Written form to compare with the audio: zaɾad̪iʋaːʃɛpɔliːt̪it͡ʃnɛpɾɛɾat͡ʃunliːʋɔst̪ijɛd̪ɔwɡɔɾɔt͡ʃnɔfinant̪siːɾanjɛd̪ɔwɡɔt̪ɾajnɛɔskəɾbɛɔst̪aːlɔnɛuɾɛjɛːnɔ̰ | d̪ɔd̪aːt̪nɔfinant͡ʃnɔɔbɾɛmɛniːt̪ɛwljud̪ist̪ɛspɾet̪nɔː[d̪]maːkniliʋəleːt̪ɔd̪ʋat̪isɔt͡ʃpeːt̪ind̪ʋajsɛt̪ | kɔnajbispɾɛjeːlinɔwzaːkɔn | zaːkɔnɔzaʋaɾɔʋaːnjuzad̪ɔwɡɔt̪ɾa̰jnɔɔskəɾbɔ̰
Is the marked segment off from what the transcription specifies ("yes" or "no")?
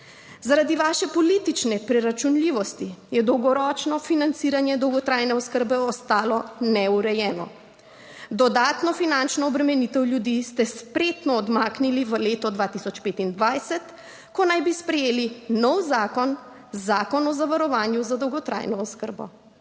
no